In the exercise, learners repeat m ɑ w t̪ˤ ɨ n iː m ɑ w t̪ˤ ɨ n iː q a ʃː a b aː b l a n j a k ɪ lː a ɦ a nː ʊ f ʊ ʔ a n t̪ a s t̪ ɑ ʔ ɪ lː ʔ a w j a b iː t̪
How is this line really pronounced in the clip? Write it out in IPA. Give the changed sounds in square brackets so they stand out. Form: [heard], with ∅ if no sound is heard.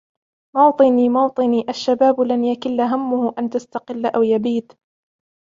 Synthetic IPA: m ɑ w t̪ˤ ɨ n iː m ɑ w t̪ˤ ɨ n iː [ʔ] a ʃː a b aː b l a n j a k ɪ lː a ɦ a [mː] ʊ [h] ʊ ʔ a n t̪ a s t̪ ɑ [q] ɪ lː ʔ a w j a b iː t̪